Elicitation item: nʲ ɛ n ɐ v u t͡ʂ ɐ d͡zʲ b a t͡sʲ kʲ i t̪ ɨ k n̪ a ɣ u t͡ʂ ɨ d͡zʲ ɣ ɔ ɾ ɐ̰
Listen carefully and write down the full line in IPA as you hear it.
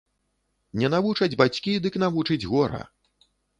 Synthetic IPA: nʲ ɛ n a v u t͡ʂ ɐ d͡zʲ b a t͡sʲ kʲ i d̪ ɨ k n̪ a v u t͡ʂ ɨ d͡zʲ ɣ ɔ ɾ ɐ̰